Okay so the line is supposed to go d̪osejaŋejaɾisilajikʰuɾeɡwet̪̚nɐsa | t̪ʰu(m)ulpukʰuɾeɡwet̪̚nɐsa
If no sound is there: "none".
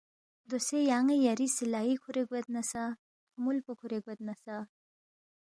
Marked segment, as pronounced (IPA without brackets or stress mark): m